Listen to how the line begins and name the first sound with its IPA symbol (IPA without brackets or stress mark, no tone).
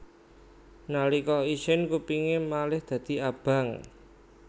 n